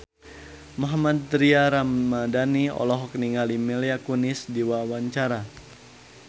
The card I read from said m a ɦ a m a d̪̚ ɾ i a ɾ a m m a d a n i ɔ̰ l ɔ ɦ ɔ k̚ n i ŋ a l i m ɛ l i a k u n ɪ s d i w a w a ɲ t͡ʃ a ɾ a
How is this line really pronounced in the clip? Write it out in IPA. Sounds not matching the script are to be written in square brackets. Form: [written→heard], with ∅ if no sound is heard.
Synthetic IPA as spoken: m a ɦ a m a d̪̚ ɾ i a ɾ a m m a d a n i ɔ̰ l ɔ ɦ ɔ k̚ n i ŋ a l i m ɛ l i a k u n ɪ s d i w a w a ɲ t͡ʃ a ɾ a